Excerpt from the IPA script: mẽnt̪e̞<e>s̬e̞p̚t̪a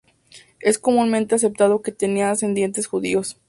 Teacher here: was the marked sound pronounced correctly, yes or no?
no